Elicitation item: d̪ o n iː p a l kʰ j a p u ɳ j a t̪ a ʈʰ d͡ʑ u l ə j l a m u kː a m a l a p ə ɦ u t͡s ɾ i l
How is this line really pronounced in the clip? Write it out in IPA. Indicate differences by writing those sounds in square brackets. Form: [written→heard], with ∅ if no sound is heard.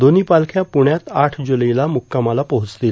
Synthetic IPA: d̪ o n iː p a l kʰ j a p u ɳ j a t̪ a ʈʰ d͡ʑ u l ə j l a m u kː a m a l a p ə ɦ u t͡s [ɾ→l] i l